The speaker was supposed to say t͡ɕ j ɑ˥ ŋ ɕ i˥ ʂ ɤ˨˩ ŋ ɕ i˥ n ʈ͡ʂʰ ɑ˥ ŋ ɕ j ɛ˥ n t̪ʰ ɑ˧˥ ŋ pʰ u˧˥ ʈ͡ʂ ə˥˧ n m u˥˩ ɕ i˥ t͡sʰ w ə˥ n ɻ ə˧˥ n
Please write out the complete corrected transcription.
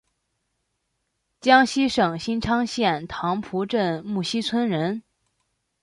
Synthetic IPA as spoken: t͡ɕ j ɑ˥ ŋ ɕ i˥ ʂ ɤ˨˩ ŋ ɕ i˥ n ʈ͡ʂʰ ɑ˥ ŋ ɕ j ɛ˥˩ n t̪ʰ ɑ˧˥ ŋ pʰ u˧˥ ʈ͡ʂ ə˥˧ n m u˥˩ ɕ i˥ t͡sʰ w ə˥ n ɻ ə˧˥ n